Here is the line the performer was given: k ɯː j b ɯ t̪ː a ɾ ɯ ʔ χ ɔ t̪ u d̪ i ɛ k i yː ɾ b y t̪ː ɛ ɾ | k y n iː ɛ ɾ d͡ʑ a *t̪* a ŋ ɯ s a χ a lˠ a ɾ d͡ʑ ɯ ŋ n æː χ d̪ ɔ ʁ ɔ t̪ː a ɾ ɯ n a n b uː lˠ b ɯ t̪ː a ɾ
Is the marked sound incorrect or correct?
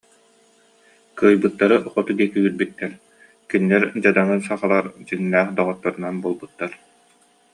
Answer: incorrect